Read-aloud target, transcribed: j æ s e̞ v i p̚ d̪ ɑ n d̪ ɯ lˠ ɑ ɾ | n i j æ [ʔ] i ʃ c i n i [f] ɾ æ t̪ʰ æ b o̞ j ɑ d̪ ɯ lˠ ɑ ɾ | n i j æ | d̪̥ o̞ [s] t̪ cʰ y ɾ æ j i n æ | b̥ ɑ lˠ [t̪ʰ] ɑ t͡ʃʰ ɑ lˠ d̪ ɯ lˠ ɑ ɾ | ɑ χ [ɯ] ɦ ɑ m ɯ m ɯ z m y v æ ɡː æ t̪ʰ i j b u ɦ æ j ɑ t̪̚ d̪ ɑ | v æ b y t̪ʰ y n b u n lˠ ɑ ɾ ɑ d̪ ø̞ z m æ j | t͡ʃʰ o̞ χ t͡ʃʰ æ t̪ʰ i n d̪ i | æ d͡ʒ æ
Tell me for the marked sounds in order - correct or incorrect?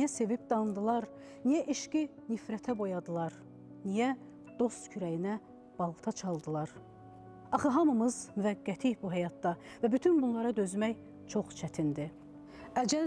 correct, correct, correct, correct, correct

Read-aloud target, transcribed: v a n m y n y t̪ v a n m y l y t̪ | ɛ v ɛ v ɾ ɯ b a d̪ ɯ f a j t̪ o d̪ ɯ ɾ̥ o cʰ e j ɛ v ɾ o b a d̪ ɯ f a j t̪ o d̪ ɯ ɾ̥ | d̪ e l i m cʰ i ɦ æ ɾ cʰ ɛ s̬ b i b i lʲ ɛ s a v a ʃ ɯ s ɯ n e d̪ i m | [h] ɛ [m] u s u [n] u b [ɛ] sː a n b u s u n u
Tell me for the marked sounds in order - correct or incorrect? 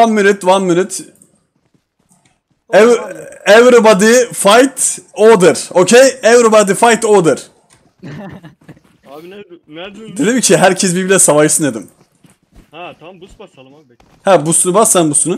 correct, incorrect, correct, incorrect

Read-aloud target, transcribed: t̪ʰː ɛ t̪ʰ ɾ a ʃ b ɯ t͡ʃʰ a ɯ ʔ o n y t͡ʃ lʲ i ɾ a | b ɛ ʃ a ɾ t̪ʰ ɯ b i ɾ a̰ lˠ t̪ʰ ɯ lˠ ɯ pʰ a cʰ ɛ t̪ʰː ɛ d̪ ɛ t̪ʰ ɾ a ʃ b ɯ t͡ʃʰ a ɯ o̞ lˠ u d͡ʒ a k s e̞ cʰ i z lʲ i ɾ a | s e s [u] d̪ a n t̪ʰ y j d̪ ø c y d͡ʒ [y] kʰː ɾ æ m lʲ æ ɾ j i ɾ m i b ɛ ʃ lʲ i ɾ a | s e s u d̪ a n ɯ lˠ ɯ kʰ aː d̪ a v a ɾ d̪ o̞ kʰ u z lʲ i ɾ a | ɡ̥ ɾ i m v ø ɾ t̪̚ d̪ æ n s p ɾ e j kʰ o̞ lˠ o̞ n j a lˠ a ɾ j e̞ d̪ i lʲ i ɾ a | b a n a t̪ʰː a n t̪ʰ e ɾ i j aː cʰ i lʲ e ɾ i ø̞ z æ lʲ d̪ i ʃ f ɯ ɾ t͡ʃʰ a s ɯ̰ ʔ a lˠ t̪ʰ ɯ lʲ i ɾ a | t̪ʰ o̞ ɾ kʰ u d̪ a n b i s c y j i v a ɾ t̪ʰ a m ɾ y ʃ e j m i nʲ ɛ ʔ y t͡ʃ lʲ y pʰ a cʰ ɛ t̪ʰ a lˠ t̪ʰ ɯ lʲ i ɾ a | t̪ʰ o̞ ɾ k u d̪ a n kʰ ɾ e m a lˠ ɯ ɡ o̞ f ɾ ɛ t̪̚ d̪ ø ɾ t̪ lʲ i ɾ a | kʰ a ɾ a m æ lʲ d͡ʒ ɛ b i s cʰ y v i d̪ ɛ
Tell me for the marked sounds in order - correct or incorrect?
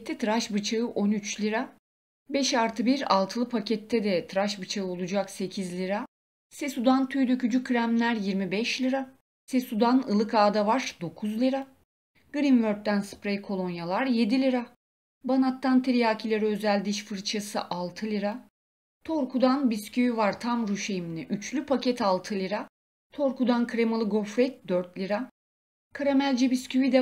correct, correct

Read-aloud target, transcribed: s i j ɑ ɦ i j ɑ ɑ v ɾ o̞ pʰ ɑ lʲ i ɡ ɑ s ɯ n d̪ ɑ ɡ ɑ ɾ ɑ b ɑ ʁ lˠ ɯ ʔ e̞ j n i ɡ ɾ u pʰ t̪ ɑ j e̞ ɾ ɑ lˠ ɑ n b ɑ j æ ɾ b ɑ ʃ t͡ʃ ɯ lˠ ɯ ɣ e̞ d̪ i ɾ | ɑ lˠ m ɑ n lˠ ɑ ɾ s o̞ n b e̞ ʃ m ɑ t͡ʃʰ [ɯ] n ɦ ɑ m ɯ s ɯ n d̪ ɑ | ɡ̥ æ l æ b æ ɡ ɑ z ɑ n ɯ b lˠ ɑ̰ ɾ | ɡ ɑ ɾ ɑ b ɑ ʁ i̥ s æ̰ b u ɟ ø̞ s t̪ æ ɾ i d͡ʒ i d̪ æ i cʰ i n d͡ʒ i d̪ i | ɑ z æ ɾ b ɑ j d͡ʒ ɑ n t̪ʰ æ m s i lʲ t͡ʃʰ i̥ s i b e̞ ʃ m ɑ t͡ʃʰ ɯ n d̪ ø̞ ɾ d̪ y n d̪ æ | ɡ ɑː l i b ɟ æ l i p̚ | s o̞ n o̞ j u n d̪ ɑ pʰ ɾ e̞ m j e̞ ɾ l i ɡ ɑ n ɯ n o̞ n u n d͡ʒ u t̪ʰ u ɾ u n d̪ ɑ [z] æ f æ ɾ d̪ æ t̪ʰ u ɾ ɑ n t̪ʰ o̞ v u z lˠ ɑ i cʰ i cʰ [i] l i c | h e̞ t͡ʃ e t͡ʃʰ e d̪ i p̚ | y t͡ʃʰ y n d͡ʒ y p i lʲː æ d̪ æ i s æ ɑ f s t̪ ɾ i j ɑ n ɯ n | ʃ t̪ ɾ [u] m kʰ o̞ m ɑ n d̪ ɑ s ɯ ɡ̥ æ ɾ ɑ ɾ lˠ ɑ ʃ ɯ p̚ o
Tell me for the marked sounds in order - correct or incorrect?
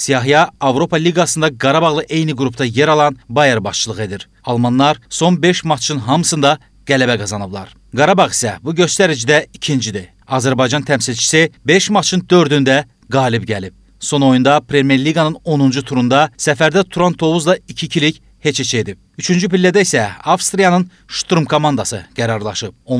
correct, incorrect, correct, correct

